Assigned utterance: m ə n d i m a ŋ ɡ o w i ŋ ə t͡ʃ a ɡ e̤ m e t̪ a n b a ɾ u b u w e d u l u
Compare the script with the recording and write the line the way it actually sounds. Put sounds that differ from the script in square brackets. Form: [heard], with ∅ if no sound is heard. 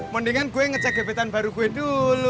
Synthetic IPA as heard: m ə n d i [ŋ] a [n] ɡ [u] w [e] ŋ ə t͡ʃ a ɡ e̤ [b] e t̪ a n b a ɾ u [ɡ] u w e d u l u